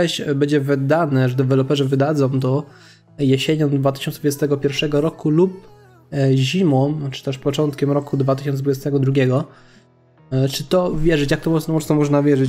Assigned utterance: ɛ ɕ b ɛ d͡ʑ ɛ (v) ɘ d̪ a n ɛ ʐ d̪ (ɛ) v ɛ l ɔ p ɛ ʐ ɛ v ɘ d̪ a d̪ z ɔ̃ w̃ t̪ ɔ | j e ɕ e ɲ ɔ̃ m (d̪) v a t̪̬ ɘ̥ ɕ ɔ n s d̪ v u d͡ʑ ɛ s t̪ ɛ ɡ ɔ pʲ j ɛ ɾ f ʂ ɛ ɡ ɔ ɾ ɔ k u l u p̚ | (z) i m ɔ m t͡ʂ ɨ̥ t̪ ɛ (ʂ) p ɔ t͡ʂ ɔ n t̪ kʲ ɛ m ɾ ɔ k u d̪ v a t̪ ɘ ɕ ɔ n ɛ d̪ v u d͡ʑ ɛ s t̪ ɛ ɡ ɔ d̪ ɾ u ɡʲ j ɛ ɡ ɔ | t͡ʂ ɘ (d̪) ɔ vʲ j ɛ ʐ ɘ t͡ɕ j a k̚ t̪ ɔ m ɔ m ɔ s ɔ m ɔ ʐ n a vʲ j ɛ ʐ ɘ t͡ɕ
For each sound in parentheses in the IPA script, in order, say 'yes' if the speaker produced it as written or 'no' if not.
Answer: yes, yes, yes, no, yes, no

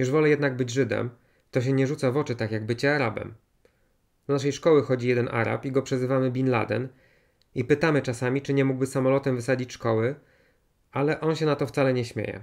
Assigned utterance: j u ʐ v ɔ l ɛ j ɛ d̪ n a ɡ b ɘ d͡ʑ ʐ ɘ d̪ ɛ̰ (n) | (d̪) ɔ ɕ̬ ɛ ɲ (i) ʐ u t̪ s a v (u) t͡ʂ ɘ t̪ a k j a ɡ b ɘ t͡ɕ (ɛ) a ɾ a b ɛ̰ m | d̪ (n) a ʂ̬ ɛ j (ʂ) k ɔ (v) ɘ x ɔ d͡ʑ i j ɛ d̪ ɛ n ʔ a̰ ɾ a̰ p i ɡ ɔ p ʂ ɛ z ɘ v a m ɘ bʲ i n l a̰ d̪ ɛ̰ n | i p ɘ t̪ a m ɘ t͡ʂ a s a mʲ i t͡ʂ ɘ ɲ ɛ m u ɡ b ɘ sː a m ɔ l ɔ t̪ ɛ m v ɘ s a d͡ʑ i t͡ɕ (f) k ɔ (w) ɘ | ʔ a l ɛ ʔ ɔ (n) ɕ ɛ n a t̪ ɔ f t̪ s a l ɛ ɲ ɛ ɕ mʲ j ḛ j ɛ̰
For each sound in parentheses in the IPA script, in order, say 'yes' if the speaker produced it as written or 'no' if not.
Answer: no, no, no, no, yes, yes, yes, no, no, yes, yes

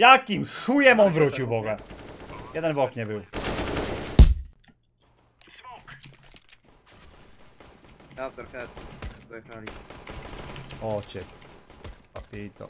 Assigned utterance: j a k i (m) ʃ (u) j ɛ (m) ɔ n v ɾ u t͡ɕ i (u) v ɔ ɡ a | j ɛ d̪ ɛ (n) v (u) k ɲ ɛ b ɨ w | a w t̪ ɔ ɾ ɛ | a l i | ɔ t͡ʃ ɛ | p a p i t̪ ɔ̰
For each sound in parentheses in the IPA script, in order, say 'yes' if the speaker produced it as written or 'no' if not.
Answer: yes, yes, yes, no, yes, no

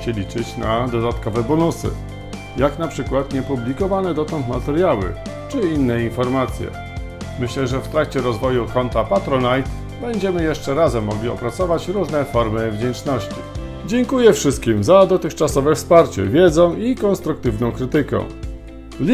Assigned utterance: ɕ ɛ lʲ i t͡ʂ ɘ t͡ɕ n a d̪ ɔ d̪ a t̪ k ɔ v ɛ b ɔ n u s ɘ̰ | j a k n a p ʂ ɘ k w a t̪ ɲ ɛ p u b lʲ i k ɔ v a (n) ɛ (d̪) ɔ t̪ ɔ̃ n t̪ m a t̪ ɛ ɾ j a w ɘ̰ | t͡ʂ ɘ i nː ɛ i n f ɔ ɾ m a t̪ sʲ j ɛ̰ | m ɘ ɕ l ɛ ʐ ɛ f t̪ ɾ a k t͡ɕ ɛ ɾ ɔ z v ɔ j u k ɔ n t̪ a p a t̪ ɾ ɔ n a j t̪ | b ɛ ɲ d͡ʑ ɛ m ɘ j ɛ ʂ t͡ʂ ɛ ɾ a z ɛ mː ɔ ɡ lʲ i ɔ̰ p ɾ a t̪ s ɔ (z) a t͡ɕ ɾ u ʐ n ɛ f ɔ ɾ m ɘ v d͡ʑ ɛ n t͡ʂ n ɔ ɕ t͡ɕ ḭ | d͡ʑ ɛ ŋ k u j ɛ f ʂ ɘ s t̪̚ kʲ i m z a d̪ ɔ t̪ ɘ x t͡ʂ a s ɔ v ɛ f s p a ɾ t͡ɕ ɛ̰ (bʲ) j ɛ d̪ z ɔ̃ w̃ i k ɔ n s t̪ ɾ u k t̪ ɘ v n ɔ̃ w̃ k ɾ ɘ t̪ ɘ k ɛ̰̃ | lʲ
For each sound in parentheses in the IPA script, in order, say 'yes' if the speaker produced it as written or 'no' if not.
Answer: yes, yes, no, no

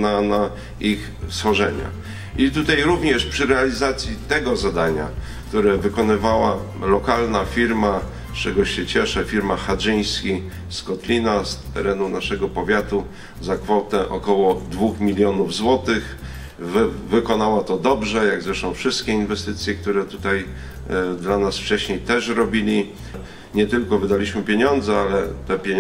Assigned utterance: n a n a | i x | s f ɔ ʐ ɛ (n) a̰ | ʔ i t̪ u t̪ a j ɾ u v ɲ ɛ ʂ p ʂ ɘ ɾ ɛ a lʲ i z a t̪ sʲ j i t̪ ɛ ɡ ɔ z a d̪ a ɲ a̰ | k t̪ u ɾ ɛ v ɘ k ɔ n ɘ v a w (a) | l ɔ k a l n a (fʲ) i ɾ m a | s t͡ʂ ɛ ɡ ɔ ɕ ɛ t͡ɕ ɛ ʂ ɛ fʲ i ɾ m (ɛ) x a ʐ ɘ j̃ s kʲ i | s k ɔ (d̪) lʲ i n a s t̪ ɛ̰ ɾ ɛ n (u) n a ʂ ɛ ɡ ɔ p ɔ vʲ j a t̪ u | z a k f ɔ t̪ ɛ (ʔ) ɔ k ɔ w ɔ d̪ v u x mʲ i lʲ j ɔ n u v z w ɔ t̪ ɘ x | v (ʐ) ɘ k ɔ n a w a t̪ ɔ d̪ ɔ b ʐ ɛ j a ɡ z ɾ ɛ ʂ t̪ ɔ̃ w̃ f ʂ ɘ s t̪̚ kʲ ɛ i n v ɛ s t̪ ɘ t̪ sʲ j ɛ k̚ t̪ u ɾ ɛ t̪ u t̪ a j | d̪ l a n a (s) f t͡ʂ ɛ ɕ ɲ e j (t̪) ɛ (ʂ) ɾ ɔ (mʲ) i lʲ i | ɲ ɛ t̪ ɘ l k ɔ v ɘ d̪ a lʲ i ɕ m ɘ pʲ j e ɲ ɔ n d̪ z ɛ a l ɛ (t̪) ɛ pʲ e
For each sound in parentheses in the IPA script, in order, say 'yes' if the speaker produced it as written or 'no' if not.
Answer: no, yes, yes, no, no, yes, yes, no, yes, yes, yes, no, yes

